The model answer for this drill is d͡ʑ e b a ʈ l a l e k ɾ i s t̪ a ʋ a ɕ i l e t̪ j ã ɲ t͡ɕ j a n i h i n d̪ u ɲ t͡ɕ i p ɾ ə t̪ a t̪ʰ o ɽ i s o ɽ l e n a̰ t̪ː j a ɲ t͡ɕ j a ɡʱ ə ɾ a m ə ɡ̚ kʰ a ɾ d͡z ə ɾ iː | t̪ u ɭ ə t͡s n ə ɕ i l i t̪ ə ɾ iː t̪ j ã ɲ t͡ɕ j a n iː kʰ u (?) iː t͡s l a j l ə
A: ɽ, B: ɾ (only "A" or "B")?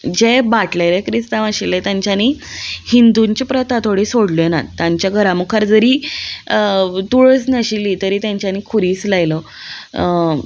B